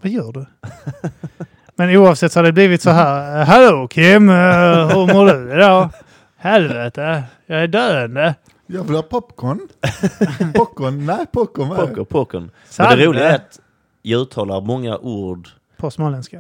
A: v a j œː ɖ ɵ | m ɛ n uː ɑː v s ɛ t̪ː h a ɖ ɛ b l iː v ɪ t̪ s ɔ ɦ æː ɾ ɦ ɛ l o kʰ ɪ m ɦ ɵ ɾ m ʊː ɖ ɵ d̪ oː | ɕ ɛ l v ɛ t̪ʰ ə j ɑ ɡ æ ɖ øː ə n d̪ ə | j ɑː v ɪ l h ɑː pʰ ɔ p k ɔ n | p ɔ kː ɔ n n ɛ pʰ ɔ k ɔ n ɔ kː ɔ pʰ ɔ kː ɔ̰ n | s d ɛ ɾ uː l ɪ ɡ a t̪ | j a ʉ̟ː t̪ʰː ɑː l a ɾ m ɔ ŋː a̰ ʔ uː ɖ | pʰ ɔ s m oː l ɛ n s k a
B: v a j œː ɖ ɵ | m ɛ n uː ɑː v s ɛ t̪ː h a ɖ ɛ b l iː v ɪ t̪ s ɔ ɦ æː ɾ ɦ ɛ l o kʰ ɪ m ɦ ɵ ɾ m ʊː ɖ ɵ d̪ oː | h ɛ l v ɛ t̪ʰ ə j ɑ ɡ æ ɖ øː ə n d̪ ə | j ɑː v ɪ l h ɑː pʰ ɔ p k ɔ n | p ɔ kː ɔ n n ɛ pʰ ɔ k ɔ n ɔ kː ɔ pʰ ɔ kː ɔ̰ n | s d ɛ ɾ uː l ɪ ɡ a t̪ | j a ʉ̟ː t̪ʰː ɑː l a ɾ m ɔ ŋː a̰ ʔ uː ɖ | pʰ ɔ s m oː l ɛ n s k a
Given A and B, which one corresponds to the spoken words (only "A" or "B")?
B